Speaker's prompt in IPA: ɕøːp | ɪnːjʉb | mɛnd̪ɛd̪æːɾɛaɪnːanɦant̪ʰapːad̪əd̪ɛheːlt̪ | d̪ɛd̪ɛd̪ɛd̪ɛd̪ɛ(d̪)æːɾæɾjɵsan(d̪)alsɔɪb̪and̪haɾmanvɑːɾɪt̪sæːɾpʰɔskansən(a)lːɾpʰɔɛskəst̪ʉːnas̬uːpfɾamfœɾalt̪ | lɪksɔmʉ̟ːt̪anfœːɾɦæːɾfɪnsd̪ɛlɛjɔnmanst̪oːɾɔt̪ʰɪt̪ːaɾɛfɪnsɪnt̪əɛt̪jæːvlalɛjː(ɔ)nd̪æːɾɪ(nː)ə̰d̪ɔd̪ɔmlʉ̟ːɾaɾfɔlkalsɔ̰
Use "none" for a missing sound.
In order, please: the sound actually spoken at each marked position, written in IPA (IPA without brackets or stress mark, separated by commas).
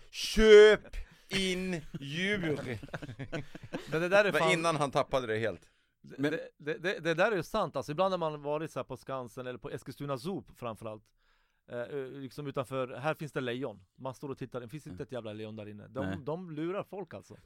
d̪, t̪, ɛ, ɔ, nː